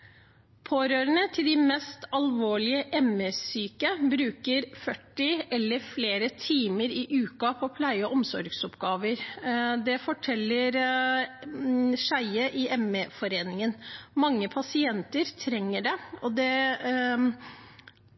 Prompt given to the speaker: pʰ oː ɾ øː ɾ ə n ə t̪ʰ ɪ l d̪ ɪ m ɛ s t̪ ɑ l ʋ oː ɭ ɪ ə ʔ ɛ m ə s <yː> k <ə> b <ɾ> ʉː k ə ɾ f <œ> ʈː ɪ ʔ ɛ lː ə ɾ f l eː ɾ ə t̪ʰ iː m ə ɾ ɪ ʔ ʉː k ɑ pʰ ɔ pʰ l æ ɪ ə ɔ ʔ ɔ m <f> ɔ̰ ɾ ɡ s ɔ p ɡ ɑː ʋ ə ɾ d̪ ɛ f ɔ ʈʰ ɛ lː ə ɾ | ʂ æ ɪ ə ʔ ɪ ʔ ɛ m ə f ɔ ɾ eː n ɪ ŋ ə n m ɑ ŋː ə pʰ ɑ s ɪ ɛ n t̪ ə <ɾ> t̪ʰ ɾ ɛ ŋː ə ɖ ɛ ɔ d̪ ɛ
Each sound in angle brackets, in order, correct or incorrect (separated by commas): correct, correct, correct, correct, incorrect, correct